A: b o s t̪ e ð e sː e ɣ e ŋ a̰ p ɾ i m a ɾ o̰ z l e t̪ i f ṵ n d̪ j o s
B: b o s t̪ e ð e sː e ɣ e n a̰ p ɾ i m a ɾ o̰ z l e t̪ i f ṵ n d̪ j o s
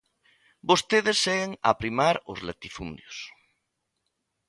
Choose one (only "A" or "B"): A